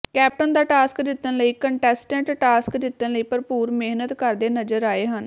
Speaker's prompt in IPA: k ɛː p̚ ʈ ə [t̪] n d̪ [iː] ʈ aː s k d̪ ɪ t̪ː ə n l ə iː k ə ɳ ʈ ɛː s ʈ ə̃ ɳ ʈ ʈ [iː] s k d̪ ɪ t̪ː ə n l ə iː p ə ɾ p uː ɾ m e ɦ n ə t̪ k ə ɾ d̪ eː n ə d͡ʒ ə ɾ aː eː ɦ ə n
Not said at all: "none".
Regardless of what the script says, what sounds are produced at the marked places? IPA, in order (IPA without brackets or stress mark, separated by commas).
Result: none, aː, aː